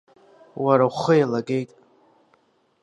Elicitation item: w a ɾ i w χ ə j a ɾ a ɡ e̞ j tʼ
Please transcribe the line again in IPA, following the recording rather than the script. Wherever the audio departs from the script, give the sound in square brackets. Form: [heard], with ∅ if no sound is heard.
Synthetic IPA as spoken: w a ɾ [a] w χ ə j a [l] a ɡ e̞ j tʼ